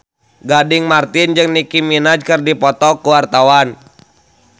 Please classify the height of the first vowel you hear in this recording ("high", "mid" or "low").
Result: low